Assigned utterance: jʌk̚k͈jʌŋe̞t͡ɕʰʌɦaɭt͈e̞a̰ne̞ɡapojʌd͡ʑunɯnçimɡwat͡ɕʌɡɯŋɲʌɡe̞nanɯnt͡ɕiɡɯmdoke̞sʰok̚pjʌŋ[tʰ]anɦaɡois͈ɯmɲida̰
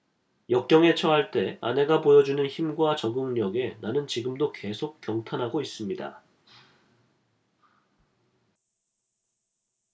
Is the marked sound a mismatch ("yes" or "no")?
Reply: no